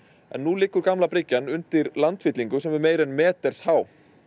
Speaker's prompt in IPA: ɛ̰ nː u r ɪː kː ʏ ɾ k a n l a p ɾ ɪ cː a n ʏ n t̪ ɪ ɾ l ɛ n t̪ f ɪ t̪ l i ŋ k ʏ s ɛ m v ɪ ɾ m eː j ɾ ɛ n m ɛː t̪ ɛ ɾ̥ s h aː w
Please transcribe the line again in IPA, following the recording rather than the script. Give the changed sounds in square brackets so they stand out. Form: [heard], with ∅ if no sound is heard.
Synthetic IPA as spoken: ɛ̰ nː u [l] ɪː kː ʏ ɾ k a [m] l a p ɾ ɪ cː a n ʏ n t̪ ɪ ɾ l [a] n t̪ f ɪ t̪ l i ŋ k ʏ s ɛ m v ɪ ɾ m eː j ɾ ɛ n m ɛː t̪ ɛ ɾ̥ s h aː w